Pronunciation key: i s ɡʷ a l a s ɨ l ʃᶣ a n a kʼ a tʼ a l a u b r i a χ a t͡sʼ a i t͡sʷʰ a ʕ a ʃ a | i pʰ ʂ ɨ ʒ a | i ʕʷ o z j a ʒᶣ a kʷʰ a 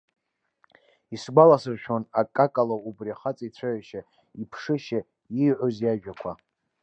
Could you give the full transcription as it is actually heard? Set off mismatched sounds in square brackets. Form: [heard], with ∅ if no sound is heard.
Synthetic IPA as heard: i s ɡʷ a l a s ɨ [r] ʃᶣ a n a kʼ a [kʼ] a l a u b r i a χ a t͡sʼ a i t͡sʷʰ a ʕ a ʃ a | i pʰ ʂ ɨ [ʃ] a | i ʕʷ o z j a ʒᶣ a kʷʰ a